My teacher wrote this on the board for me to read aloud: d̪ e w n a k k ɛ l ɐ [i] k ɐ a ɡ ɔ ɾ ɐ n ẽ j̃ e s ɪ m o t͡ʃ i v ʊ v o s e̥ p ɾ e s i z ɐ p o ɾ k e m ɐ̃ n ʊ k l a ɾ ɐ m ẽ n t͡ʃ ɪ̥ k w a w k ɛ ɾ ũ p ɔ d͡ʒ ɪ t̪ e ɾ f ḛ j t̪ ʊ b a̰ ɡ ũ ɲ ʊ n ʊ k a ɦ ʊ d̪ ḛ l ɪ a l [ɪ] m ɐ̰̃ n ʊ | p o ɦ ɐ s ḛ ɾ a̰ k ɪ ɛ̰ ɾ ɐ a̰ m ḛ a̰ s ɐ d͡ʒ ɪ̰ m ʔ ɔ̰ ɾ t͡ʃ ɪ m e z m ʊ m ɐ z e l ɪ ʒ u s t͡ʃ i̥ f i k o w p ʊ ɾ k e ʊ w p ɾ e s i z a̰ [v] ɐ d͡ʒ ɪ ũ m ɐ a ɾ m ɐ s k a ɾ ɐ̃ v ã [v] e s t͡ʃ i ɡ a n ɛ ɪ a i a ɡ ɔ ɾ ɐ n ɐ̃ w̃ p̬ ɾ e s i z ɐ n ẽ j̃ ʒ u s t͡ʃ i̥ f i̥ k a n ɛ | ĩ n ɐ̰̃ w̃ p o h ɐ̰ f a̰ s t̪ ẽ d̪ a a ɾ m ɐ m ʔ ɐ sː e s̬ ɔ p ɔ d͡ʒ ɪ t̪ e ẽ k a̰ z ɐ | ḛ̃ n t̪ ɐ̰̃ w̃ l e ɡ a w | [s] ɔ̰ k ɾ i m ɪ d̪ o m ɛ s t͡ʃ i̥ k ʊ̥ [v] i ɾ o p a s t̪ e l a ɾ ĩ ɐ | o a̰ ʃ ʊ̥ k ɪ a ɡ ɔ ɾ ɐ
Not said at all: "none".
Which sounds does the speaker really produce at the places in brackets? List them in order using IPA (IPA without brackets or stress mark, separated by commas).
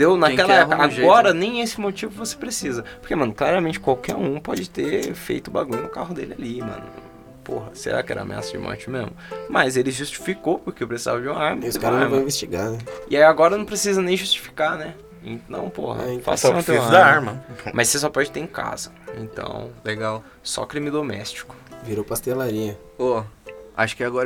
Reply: ɛ, i, v, v, s, v